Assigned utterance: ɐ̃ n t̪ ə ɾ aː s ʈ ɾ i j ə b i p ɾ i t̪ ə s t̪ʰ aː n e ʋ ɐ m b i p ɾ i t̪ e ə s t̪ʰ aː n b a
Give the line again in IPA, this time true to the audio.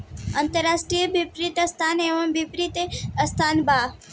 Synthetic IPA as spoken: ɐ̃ n t̪ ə ɾ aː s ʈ ɾ i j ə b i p ɾ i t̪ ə s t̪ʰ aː n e ʋ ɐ m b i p ɾ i t̪ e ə s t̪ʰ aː n b a